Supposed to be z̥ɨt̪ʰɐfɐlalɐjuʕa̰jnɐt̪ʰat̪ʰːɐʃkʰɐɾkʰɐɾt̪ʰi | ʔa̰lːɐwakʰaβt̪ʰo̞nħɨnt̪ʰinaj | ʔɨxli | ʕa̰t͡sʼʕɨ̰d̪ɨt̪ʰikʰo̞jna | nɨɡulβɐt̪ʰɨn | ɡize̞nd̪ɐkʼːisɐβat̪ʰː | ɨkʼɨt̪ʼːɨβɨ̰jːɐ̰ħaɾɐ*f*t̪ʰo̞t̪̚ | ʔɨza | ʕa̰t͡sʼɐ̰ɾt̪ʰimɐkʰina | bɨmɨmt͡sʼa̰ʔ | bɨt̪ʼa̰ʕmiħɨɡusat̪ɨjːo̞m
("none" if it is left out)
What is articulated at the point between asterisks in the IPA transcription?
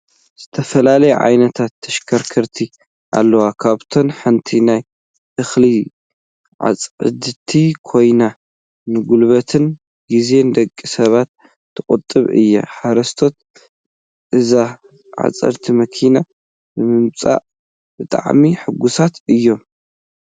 s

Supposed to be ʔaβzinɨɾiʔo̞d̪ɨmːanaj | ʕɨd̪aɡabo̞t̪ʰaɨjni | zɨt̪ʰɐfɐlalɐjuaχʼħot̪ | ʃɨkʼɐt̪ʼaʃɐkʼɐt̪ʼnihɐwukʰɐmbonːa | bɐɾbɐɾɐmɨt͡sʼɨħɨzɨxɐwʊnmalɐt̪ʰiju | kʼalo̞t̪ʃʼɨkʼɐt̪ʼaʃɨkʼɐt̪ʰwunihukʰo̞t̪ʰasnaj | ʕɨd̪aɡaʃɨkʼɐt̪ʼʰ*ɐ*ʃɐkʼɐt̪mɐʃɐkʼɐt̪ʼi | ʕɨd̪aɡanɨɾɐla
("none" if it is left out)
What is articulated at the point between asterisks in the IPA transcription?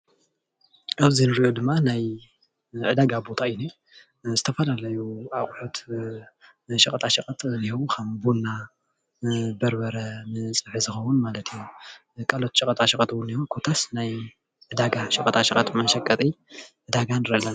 a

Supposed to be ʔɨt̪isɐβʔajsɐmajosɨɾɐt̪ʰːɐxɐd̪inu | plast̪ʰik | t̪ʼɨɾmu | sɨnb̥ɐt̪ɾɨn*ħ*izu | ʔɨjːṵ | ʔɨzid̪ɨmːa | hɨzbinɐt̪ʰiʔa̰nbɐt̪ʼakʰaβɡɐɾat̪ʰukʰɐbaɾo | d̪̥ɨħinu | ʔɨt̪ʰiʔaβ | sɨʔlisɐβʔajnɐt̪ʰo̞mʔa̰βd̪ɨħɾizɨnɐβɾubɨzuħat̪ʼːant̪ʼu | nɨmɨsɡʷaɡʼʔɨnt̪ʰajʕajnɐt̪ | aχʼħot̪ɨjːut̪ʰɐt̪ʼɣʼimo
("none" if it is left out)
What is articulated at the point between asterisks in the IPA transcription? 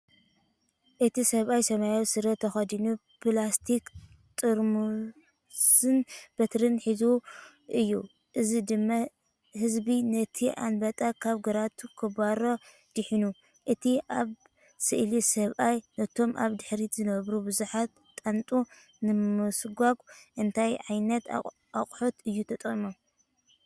ħ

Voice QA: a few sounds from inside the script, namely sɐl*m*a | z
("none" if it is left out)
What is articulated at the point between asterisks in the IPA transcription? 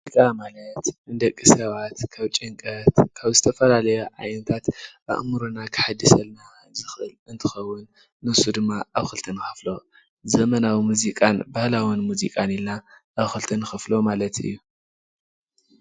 n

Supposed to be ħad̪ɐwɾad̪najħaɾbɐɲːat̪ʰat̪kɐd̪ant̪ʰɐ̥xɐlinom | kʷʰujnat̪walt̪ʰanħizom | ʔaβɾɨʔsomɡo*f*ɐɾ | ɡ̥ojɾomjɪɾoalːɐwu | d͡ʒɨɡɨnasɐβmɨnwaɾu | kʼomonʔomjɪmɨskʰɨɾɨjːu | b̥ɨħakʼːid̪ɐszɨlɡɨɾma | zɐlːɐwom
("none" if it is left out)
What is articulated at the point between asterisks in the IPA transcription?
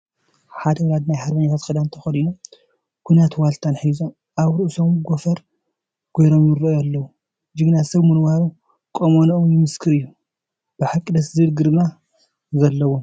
f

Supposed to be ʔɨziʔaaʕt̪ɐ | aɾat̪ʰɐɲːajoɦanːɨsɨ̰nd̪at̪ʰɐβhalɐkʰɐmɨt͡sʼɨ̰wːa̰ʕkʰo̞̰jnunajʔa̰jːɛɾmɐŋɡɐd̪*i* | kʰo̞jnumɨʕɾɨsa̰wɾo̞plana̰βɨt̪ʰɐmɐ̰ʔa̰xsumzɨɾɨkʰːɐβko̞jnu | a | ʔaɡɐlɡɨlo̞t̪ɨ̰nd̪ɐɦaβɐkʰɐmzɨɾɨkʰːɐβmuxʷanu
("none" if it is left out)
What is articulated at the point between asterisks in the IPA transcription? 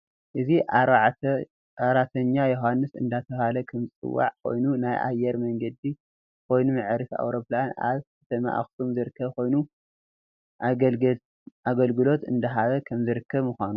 i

